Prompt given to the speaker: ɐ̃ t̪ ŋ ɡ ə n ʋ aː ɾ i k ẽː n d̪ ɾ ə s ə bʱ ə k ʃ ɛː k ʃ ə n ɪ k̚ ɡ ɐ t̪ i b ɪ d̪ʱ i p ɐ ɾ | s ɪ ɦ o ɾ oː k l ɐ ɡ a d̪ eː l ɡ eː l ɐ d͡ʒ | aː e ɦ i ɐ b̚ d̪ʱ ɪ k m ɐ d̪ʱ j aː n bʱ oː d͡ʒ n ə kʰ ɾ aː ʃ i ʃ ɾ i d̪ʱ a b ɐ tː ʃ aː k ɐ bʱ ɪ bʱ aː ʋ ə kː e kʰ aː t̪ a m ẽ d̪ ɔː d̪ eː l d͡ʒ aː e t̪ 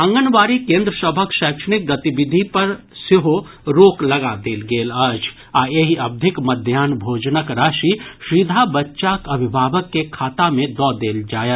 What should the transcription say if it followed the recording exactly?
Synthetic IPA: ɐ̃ ŋ ɡ ə n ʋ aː ɾ i k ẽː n d̪ ɾ ə s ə bʱ ə k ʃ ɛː k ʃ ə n ɪ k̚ ɡ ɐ t̪ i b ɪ d̪ʱ i p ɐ ɾ | s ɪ ɦ o ɾ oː k l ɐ ɡ a d̪ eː l ɡ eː l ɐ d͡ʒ | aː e ɦ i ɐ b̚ d̪ʱ ɪ k m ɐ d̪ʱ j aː n bʱ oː d͡ʒ n ə k ɾ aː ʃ i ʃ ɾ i d̪ʱ a b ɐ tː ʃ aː k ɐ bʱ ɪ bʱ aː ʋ ə kː e kʰ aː t̪ a m ẽ d̪ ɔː d̪ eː l d͡ʒ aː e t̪

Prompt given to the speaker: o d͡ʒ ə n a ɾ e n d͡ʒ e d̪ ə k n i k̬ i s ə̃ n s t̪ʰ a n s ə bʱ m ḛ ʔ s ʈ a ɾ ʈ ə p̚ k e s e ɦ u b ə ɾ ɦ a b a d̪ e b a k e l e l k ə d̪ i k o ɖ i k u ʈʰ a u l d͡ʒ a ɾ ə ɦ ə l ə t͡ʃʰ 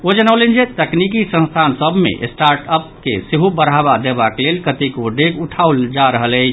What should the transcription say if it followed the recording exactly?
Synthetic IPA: o d͡ʒ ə n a l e n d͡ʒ e t̪ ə k n i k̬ i s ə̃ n s t̪ʰ a n s ə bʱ m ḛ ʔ s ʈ a ɾ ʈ ə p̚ k e s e ɦ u b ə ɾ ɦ a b a d̪ e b a k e l e l k ə t̪ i k o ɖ e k u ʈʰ a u l d͡ʒ a ɾ ə ɦ ə l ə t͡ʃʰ

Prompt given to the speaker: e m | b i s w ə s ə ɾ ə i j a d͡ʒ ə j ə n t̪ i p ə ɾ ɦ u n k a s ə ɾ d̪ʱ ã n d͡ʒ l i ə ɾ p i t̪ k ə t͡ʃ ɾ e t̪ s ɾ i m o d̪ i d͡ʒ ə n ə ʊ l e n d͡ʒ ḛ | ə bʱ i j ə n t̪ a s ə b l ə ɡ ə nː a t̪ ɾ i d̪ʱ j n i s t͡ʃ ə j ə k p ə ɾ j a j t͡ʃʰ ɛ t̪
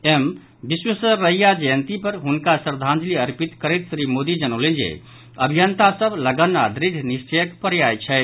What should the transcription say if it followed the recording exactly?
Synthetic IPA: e m | b i s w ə s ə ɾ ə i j a d͡ʒ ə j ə n t̪ i p ə ɾ ɦ u n k a s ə ɾ d̪ʱ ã n d͡ʒ l i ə ɾ p i t̪ k ə ɾ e t̪ s ɾ i m o d̪ i d͡ʒ ə n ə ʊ l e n d͡ʒ ḛ | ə bʱ i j ə n t̪ a s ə b l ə ɡ ə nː a d̪ ɾ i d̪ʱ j n i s t͡ʃ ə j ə k p ə ɾ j a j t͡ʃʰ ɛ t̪

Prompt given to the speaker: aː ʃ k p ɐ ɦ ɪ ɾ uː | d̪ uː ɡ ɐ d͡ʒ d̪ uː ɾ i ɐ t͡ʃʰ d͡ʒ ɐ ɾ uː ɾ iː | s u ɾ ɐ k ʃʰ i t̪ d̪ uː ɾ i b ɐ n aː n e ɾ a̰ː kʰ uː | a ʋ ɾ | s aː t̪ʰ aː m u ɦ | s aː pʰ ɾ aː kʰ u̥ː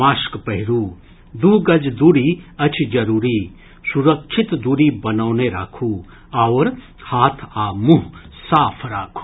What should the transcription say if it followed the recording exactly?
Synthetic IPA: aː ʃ k p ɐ ɦ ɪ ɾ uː | d̪ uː ɡ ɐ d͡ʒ d̪ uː ɾ i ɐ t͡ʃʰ d͡ʒ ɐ ɾ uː ɾ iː | s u ɾ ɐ k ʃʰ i t̪ d̪ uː ɾ i b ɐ n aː n e ɾ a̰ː kʰ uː | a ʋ ɾ | h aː t̪ʰ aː m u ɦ | s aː pʰ ɾ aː kʰ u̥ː

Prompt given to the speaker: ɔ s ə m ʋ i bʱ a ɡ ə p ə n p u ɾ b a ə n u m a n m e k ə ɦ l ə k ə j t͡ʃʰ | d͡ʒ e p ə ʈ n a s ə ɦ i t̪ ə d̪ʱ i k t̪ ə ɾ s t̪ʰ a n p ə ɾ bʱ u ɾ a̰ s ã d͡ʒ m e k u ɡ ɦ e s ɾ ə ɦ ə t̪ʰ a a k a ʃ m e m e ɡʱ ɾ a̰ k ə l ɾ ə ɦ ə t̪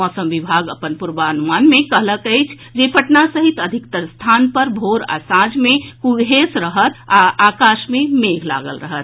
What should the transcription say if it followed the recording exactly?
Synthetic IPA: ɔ s ə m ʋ i bʱ a ɡ ə p ə n p u ɾ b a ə n u m a n m e k ə ɦ l ə k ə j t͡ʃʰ | d͡ʒ e p ə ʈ n a s ə ɦ i t̪ ə d̪ʱ i k t̪ ə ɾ s t̪ʰ a n p ə ɾ bʱ o ɾ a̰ s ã d͡ʒ m e k u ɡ ɦ e s ɾ ə ɦ ə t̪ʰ a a k a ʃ m e m e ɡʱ l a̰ ɡ ə l ɾ ə ɦ ə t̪

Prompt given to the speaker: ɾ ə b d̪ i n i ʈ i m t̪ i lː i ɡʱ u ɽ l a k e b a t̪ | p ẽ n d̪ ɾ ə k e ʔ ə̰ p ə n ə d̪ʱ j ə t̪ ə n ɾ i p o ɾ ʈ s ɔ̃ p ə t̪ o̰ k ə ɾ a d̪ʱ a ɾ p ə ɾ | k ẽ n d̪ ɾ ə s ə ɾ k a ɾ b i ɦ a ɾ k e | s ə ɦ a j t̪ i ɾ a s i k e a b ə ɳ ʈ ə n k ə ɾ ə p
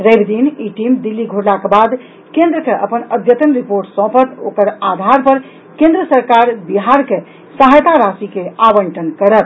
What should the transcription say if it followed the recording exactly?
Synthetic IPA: ɾ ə b d̪ i n i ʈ i m d̪ i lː i ɡʱ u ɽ l a k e b a d̪ | k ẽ n d̪ ɾ ə k e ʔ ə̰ p ə n ə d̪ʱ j ə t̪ ə n ɾ i p o ɾ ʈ s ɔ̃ p ə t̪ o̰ k ə ɾ a d̪ʱ a ɾ p ə ɾ | k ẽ n d̪ ɾ ə s ə ɾ k a ɾ b i ɦ a ɾ k e | s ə ɦ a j t̪ a ɾ a s i k e a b ə ɳ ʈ ə n k ə ɾ ə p

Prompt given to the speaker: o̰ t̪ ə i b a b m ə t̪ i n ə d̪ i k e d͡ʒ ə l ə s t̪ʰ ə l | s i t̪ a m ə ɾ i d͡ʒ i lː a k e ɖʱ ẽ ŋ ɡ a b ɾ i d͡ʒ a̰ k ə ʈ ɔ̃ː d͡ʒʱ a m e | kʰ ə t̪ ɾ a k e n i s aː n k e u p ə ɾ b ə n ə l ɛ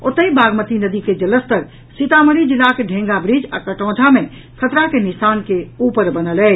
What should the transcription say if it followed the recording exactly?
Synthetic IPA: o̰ t̪ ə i b a ɡ m ə t̪ i n ə d̪ i k e d͡ʒ ə l ə s t̪ ə ɾ | s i t̪ a m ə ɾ i d͡ʒ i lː a k e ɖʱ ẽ ŋ ɡ a b ɾ i d͡ʒ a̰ k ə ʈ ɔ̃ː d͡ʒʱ a m e | kʰ ə t̪ ɾ a k e n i s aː n k e u p ə ɾ b ə n ə l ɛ

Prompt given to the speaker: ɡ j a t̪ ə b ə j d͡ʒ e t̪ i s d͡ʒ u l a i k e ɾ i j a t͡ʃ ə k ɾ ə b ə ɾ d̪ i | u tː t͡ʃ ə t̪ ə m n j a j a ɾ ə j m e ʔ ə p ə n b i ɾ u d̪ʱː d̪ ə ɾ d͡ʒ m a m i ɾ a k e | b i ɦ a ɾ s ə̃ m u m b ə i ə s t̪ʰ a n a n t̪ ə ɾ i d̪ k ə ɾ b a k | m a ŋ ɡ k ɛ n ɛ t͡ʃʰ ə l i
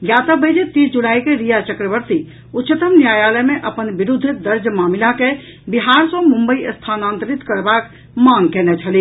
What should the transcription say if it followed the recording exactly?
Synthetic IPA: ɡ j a t̪ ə b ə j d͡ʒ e t̪ i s d͡ʒ u l a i k e ɾ i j a t͡ʃ ə k ɾ ə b ə ɾ t̪ i | u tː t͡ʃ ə t̪ ə m n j a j a l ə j m e ʔ ə p ə n b i ɾ u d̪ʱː d̪ ə ɾ d͡ʒ m a m i l a k e | b i ɦ a ɾ s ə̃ m u m b ə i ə s t̪ʰ a n a n t̪ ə ɾ i t̪ k ə ɾ b a k | m a ŋ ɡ k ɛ n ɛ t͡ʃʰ ə l i

